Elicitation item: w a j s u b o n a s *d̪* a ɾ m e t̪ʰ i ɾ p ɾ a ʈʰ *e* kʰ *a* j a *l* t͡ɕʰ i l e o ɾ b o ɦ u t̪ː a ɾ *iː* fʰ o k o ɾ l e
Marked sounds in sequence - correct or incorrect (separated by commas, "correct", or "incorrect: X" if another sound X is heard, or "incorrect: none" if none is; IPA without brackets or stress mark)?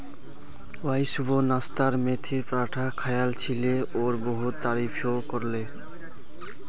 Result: incorrect: t̪, incorrect: a, correct, correct, incorrect: i